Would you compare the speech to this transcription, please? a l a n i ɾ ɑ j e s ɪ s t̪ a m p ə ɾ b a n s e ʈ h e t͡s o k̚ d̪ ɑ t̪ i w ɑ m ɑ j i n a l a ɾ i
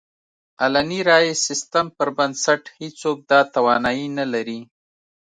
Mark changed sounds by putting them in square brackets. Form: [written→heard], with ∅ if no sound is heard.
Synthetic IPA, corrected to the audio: a l a n i ɾ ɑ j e s ɪ s t̪ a m p ə ɾ b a n s [e→a] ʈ h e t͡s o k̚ d̪ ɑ t̪ [i→a] w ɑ [m→n] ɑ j i n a l a ɾ i